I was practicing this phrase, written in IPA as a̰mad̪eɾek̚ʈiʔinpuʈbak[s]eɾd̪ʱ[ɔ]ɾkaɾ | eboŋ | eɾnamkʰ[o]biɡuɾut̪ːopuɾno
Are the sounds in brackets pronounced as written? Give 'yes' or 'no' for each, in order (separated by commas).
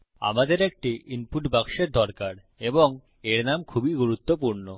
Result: no, yes, no